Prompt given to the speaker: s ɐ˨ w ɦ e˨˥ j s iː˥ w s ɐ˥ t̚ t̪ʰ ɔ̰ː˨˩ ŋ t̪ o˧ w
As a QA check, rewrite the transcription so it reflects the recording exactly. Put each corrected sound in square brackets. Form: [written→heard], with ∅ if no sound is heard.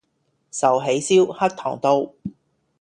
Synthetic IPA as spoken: s ɐ˨ w ɦ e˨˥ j s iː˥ w [s→h] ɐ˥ [t̚→k̚] t̪ʰ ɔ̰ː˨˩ ŋ t̪ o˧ w